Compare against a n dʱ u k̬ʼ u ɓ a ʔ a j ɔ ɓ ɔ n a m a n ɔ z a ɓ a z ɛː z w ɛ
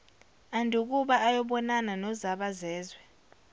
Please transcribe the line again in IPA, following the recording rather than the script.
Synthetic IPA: a n dʱ u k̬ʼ u ɓ a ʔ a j ɔ ɓ ɔ n a n a n ɔ z a ɓ a z ɛː z w ɛ